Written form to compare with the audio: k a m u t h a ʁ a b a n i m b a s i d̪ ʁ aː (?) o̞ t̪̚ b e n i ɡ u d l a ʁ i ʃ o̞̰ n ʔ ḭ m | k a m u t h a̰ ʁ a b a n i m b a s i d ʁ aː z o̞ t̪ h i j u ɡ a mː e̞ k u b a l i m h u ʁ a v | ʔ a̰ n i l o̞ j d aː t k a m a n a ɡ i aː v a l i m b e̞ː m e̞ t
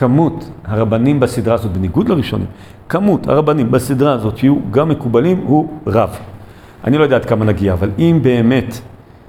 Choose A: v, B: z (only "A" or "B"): B